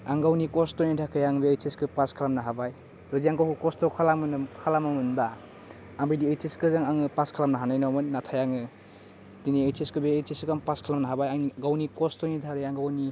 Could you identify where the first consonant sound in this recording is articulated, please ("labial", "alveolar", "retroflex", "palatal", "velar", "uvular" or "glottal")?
velar